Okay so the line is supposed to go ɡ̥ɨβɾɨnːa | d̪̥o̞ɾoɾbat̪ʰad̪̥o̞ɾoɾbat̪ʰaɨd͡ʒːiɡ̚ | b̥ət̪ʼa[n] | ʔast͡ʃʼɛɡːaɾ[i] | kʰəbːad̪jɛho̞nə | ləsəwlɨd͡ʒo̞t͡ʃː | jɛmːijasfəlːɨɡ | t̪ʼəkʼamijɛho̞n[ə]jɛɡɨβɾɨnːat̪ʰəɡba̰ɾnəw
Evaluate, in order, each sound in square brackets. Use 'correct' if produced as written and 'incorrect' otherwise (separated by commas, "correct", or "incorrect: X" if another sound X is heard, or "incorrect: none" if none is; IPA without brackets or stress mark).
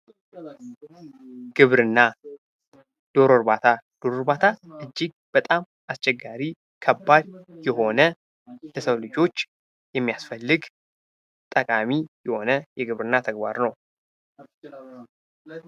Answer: incorrect: m, correct, correct